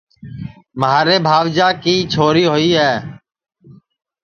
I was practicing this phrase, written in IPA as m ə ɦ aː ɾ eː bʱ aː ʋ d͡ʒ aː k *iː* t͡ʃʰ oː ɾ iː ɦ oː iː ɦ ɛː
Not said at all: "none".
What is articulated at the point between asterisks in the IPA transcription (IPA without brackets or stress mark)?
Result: iː